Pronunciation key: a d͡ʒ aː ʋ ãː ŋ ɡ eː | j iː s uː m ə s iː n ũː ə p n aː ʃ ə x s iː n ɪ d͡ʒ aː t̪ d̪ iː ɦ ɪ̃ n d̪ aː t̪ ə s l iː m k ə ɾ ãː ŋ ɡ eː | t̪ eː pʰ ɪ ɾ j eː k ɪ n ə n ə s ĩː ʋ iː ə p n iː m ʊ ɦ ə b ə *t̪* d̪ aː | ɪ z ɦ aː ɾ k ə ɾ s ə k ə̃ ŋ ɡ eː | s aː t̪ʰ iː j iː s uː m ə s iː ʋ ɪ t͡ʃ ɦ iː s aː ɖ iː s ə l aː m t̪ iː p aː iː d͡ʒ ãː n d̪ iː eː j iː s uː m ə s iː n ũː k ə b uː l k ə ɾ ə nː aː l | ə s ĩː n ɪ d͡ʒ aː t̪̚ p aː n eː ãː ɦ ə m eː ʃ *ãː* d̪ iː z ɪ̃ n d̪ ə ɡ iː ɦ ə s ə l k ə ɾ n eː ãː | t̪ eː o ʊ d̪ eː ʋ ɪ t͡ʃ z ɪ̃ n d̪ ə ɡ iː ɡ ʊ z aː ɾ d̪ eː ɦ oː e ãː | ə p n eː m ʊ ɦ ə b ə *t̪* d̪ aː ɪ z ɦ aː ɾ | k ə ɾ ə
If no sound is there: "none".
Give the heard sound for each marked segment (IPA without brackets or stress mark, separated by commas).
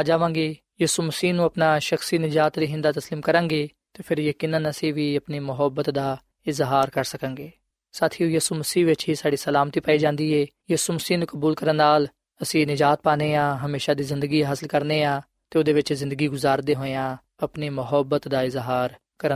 t̪, aː, t̪